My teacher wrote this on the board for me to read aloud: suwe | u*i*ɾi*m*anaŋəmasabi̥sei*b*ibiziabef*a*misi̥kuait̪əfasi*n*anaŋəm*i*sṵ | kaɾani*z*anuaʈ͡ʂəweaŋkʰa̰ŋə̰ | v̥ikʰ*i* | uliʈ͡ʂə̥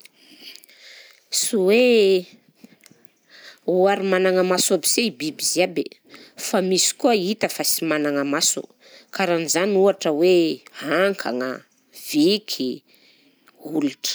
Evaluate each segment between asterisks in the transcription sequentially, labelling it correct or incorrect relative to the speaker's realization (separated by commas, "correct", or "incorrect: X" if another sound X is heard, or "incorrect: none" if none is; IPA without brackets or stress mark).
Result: incorrect: a, correct, correct, correct, incorrect: m, incorrect: a, correct, correct